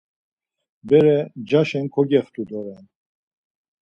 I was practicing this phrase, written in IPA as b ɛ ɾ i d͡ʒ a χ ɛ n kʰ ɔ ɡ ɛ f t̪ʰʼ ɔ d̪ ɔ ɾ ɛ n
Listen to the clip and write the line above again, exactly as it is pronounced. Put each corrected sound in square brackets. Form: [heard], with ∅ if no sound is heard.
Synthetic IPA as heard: b ɛ ɾ [ɛ] d͡ʒ a [ʃ] ɛ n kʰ ɔ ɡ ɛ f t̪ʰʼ [u] d̪ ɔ ɾ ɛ n

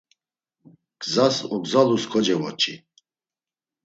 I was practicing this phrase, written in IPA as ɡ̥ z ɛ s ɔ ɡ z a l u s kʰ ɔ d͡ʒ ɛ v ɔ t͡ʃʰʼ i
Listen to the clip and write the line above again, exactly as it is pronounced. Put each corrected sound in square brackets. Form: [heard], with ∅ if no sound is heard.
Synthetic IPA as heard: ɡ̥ z [a] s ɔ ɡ z a l u s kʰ ɔ d͡ʒ ɛ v ɔ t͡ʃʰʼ i

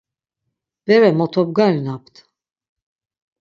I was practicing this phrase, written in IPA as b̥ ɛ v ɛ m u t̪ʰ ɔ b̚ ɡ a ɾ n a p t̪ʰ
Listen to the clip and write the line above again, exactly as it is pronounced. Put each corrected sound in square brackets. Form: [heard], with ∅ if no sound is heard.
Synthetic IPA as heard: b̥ ɛ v ɛ m [ɔ] t̪ʰ ɔ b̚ ɡ a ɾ n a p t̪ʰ

